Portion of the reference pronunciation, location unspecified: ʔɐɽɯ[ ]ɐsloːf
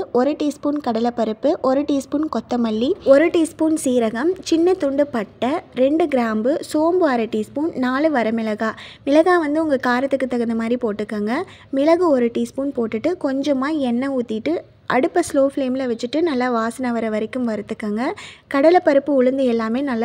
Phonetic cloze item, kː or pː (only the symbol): pː